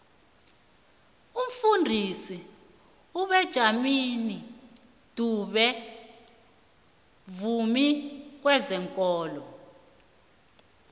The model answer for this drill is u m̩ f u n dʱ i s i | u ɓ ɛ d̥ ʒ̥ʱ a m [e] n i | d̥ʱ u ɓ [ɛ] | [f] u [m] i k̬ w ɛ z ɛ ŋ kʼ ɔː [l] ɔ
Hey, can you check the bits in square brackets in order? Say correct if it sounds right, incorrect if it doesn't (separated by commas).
incorrect, correct, incorrect, correct, correct